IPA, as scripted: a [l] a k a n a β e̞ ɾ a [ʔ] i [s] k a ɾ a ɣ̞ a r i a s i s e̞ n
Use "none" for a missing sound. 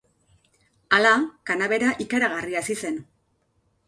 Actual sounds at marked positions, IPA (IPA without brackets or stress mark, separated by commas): l, ʔ, none